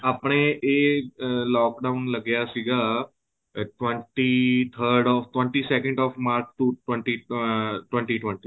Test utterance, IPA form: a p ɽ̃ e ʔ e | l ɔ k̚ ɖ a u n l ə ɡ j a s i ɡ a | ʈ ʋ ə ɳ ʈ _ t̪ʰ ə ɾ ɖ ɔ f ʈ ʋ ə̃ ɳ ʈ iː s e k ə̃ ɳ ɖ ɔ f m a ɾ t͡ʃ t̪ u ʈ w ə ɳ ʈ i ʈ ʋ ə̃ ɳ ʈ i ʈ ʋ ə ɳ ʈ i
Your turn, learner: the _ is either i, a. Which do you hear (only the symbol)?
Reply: i